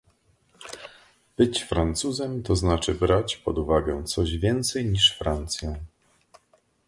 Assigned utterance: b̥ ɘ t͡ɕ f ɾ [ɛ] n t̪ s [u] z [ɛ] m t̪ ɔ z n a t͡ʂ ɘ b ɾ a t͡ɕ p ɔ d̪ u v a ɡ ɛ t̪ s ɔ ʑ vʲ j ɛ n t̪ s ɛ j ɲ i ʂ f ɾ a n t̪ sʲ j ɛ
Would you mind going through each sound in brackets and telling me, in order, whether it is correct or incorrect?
incorrect: a, correct, correct

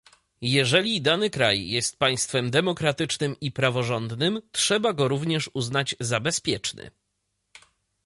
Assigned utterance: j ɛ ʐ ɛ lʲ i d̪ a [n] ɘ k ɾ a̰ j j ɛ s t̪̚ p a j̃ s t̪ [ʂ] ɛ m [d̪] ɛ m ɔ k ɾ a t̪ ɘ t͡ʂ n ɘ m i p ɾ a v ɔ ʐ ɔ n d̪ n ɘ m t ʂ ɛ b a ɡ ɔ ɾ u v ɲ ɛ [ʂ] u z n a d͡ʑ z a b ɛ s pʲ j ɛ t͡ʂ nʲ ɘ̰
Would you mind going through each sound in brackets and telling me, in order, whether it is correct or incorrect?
correct, incorrect: f, correct, correct

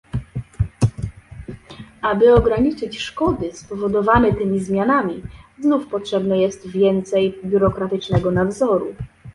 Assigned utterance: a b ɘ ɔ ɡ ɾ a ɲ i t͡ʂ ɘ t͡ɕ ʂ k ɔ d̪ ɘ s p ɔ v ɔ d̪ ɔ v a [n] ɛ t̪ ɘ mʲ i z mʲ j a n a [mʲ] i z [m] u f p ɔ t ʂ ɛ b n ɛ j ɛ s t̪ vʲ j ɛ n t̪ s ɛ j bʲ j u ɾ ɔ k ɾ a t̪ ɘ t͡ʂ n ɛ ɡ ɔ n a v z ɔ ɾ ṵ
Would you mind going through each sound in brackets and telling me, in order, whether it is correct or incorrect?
correct, correct, incorrect: n

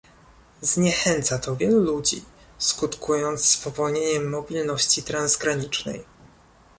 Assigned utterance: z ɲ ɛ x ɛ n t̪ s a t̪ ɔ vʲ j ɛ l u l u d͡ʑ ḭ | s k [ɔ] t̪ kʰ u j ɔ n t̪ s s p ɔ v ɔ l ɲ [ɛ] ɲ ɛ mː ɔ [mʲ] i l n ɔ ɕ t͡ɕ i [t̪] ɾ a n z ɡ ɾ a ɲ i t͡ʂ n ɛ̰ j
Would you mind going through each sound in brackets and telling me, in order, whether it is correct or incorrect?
incorrect: u, incorrect: e, incorrect: bʲ, correct

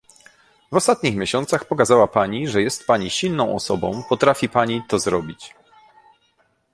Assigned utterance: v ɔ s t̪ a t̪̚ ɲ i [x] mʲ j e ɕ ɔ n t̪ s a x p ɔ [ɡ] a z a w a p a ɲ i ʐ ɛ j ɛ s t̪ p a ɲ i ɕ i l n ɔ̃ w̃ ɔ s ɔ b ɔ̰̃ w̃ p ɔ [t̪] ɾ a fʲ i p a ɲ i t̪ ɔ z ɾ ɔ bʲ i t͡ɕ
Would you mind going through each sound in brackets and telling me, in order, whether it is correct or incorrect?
correct, incorrect: k, correct

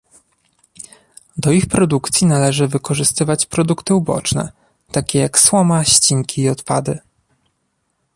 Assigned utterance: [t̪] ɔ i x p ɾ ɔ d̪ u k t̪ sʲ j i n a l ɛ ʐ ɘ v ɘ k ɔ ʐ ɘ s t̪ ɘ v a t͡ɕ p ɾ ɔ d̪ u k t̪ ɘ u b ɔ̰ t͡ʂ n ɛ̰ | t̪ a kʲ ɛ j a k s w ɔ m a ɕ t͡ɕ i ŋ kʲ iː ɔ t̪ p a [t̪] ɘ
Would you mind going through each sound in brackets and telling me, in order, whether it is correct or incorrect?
incorrect: d̪, incorrect: d̪

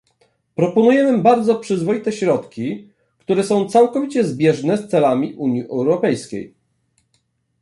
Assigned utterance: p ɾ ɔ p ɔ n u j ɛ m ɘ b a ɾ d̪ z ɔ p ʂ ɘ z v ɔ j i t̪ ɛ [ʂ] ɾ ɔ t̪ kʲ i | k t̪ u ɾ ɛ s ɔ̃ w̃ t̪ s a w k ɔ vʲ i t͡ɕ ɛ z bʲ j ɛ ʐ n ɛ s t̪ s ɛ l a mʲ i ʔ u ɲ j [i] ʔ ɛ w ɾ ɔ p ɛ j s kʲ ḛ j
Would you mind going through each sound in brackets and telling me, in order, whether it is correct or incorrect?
incorrect: ɕ, correct

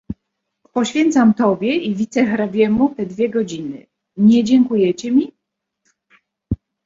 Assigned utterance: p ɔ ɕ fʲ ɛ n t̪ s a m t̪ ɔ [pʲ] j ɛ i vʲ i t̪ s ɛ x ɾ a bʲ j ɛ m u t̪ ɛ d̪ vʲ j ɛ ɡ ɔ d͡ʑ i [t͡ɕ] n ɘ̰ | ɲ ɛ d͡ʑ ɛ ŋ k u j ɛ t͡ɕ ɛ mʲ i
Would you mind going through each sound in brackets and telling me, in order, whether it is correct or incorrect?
incorrect: bʲ, incorrect: none

